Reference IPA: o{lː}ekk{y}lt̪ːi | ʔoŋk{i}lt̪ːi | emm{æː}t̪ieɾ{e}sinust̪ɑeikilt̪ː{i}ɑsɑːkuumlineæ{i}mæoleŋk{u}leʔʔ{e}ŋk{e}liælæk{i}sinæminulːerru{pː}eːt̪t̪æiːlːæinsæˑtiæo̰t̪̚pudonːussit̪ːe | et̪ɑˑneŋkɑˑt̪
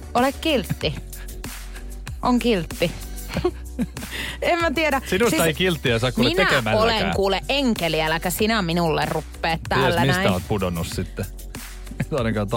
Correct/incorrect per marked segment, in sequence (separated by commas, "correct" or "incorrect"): incorrect, incorrect, correct, incorrect, incorrect, correct, incorrect, incorrect, correct, correct, incorrect, correct